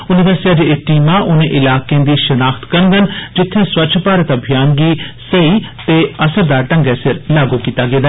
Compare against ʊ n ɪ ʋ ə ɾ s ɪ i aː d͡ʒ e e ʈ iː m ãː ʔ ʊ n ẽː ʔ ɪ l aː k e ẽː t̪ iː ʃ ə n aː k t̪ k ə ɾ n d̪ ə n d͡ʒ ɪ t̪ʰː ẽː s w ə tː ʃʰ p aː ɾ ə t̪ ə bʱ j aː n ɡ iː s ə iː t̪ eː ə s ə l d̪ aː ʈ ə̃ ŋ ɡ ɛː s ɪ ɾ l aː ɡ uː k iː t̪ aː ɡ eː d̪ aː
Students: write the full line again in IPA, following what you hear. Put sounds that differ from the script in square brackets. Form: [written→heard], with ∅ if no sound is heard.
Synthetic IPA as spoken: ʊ n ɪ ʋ ə ɾ s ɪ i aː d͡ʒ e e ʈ iː m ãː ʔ ʊ n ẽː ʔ ɪ l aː k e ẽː [t̪→d̪] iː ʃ ə n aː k t̪ k ə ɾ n d̪ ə n d͡ʒ ɪ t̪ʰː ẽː s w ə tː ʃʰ p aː ɾ ə t̪ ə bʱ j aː n ɡ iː s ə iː t̪ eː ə s ə [l→ɾ] d̪ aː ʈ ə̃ ŋ ɡ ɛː s ɪ ɾ l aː ɡ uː k iː t̪ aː ɡ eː d̪ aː